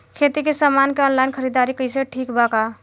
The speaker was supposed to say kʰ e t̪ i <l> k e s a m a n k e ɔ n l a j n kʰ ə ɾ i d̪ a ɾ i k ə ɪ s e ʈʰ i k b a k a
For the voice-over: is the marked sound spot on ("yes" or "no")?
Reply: no